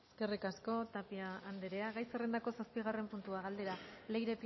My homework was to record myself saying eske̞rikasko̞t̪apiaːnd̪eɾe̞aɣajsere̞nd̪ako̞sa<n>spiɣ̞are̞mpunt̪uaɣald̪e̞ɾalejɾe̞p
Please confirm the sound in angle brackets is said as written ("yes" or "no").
no